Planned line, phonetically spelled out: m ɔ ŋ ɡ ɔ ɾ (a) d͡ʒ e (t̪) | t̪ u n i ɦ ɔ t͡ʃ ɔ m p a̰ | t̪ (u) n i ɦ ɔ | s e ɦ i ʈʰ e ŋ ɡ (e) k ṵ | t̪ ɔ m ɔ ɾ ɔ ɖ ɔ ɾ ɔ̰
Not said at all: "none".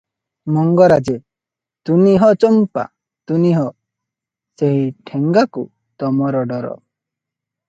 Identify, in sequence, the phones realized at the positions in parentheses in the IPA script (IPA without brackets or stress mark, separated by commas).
a, none, u, a